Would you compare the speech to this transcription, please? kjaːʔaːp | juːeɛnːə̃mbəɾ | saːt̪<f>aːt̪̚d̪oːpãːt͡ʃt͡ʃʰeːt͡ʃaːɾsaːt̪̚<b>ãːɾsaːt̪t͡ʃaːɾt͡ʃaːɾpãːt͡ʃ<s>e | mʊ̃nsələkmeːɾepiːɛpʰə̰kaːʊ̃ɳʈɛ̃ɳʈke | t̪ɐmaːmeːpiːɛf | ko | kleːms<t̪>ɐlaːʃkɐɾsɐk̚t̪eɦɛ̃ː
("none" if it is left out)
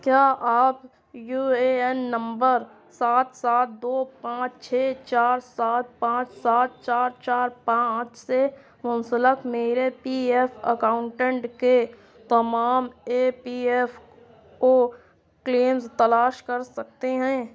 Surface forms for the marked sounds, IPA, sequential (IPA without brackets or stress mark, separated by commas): s, p, s, t̪